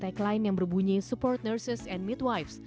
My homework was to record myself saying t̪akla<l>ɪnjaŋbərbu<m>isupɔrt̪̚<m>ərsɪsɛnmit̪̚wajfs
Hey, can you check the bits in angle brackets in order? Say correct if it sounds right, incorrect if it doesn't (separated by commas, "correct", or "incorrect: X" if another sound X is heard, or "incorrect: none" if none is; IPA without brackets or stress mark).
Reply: incorrect: none, incorrect: ɲ, incorrect: n